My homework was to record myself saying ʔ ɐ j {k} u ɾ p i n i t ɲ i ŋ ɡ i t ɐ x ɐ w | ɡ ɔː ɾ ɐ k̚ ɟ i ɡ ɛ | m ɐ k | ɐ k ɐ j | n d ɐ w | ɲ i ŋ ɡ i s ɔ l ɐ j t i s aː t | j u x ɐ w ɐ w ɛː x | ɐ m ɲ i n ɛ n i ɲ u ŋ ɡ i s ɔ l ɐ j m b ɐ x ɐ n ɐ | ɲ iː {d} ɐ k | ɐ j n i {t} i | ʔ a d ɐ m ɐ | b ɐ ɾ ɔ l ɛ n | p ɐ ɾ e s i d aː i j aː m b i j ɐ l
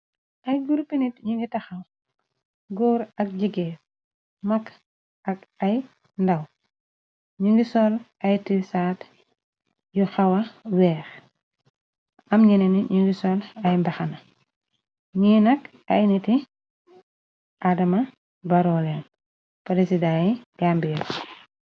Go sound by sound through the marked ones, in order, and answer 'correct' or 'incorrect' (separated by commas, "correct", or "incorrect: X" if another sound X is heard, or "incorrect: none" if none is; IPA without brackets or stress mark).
incorrect: ɡ, incorrect: n, correct